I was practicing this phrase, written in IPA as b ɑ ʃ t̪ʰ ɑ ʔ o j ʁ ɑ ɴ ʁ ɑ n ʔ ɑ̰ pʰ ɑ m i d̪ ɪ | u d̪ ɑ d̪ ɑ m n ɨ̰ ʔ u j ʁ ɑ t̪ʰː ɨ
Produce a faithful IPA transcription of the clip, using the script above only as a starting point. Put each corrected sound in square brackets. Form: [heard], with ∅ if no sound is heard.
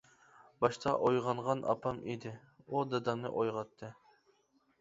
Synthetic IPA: b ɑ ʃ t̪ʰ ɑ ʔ o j ʁ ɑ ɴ ʁ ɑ n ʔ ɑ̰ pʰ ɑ m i d̪ ɪ | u d̪ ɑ d̪ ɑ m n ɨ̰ ʔ [o] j ʁ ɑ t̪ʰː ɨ